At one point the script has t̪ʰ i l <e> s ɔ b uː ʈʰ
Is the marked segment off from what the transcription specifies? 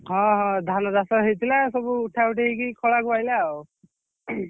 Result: yes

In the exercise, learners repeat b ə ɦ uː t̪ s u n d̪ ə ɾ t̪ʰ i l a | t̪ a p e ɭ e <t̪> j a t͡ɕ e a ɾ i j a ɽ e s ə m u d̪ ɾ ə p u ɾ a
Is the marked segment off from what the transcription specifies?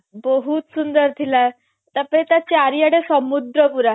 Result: no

